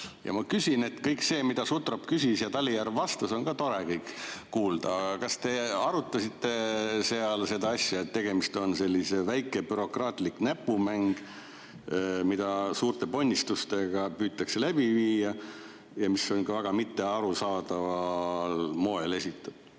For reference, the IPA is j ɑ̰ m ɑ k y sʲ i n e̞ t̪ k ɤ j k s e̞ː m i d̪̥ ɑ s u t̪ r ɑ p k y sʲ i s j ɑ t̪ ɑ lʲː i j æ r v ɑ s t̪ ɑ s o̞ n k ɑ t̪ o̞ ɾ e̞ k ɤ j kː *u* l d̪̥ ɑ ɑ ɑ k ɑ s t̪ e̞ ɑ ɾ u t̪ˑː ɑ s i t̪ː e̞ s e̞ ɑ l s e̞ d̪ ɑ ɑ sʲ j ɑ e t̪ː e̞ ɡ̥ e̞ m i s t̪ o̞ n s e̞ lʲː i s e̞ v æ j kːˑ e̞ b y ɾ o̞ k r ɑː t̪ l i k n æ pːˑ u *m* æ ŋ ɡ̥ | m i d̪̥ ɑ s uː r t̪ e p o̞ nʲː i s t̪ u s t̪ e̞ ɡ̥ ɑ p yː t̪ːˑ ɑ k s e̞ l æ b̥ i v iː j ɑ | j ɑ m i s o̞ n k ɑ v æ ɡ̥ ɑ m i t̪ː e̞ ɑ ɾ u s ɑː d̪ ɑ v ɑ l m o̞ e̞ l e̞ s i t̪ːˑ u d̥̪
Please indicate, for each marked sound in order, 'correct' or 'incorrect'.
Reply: incorrect: uː, correct

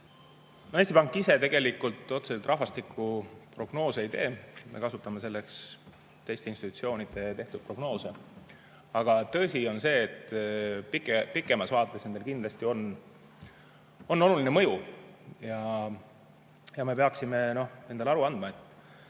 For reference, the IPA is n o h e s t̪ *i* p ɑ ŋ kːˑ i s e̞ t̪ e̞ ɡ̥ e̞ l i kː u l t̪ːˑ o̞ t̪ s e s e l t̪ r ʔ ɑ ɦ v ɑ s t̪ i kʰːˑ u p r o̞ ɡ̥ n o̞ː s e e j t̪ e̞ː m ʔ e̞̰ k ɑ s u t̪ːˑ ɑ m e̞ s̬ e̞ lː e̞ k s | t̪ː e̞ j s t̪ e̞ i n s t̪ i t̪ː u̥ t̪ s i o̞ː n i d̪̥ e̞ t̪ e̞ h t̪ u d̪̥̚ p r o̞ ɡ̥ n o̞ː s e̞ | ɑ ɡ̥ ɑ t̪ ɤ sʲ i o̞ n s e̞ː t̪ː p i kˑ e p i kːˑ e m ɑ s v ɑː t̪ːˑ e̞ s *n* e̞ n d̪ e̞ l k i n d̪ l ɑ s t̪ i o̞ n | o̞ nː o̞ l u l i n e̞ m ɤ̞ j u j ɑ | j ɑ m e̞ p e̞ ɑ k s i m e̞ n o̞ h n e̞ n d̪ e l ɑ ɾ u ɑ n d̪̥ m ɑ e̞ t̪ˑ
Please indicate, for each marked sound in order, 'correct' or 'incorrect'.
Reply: correct, correct

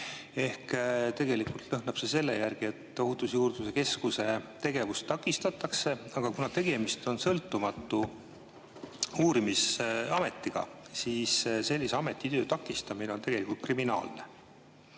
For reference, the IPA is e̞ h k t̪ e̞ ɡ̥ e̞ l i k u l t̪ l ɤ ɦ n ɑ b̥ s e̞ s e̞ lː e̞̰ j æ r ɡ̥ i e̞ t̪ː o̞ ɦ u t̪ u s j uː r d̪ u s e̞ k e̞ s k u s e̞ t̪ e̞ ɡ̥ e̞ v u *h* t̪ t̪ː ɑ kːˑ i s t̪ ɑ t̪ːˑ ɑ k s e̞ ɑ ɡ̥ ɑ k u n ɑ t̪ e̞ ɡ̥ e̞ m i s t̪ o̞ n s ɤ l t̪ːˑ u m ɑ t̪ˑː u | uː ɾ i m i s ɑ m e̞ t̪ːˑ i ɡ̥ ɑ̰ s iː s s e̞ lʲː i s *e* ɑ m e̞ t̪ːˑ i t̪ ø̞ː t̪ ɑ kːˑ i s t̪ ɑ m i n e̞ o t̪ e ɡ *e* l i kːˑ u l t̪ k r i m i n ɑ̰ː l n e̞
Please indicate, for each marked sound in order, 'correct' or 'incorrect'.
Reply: incorrect: s, correct, correct

